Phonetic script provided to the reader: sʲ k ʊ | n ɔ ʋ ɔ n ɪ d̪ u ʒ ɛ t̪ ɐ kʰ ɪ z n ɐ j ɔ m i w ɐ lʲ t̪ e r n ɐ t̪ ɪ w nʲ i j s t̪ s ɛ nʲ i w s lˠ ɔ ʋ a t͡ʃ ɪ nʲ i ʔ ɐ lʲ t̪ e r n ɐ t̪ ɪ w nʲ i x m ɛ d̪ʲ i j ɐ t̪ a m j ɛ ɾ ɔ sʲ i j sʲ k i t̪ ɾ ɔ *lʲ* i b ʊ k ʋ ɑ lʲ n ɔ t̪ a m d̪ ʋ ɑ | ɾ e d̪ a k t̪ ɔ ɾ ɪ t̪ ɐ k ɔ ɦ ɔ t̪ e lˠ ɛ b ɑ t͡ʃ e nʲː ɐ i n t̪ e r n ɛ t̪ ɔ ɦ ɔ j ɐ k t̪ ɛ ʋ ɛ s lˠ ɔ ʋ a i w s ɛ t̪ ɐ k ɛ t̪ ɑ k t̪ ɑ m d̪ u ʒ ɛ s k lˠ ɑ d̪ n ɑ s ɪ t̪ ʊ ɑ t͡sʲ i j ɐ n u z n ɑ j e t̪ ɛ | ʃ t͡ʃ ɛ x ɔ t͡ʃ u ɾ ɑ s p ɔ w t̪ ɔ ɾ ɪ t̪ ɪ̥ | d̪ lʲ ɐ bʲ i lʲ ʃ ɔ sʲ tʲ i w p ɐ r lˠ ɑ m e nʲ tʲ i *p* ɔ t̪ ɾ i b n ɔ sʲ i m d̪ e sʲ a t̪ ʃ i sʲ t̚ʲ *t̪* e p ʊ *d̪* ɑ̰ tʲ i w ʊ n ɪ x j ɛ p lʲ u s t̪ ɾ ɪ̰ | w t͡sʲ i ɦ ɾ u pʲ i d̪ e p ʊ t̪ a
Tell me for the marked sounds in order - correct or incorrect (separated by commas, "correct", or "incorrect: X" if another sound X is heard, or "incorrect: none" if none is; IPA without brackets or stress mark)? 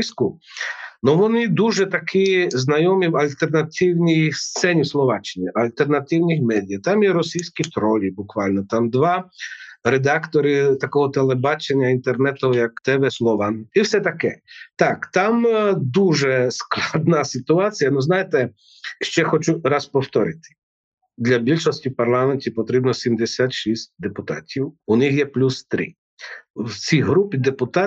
correct, correct, incorrect: d̪, incorrect: t̪